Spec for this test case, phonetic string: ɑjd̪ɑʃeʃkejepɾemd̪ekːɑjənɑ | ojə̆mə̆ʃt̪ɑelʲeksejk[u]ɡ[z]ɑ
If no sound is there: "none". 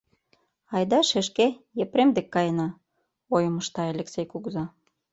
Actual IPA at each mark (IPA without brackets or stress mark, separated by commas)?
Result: u, z